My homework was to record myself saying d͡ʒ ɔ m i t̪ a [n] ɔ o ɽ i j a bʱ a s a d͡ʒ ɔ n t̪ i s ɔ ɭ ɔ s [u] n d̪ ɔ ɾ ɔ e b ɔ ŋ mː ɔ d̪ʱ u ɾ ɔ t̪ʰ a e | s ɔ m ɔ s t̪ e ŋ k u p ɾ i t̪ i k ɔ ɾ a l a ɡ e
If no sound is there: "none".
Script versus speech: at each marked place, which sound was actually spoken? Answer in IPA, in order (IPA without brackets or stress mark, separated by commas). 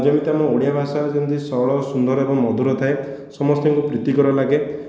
m, u